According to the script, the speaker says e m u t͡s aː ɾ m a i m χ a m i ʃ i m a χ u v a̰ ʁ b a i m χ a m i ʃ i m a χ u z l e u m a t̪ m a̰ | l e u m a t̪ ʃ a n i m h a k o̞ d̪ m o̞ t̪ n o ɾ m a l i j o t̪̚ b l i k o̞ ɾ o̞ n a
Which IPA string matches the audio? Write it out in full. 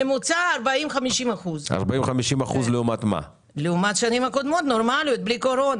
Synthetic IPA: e m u t͡s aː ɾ b a i m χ a m i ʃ i m a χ u z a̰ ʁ b a i m χ a m i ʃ i m a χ u z l e u m a t̪ m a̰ | l e u m a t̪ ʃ a n i m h a k o̞ d̪ m o̞ t̪ n o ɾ m a l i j o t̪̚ b l i k o̞ ɾ o̞ n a

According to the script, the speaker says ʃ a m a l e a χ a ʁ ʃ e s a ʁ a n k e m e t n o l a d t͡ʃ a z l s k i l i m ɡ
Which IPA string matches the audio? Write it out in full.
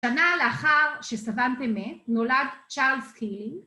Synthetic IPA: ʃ a n a l e a χ a ʁ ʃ e s a v a n t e m e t n o l a d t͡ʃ a ʁ l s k i l i ŋ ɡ

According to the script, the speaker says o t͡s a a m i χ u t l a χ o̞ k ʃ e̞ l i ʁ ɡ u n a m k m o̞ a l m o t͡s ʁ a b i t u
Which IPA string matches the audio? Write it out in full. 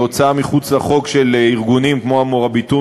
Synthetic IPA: o t͡s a a m i χ u t͡s l a χ o̞ k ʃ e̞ l i ʁ ɡ u n i m k m o̞ a m o ʁ a b i t u

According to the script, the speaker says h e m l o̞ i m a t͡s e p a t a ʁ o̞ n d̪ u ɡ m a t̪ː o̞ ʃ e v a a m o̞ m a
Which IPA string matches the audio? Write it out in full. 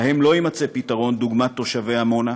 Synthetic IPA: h e m l o̞ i m a t͡s e p i t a ʁ o̞ n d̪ u ɡ m a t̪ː o̞ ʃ a v e a m o̞ n a

